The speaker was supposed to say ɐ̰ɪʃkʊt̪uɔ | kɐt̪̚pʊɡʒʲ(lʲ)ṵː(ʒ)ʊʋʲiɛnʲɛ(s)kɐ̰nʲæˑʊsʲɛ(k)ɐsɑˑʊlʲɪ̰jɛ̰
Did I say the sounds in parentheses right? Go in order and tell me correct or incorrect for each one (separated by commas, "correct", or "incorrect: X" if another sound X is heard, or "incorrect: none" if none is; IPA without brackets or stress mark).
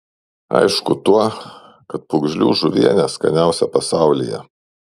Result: correct, correct, correct, incorrect: p